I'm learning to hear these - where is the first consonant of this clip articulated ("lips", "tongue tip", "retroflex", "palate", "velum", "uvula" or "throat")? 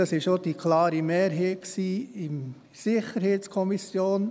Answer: tongue tip